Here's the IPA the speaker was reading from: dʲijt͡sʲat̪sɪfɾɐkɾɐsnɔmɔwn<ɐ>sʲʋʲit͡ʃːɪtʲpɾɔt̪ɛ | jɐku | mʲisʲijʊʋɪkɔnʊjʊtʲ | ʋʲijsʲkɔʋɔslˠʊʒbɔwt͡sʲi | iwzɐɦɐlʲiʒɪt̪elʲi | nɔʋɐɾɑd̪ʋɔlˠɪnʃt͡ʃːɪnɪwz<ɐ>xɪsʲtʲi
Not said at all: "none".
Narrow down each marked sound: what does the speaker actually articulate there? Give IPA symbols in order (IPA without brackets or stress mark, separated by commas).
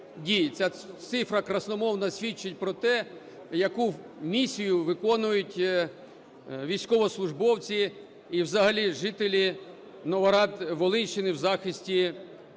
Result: ɐ, ɑ